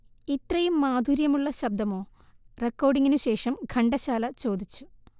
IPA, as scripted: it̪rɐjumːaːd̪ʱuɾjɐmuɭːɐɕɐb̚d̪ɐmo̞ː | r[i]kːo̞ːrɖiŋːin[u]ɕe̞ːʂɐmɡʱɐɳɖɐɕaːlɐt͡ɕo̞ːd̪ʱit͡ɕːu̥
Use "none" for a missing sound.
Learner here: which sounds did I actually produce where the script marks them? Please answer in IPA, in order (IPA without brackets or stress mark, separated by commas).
e, u